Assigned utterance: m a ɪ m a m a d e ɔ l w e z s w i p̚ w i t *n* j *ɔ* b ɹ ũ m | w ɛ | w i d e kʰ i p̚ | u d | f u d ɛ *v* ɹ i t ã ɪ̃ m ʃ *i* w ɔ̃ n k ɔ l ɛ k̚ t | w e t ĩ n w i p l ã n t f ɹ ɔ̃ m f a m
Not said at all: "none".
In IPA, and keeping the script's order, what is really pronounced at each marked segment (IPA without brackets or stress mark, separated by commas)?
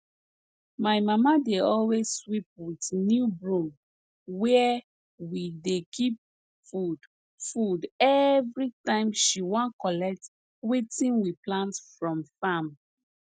n, u, v, i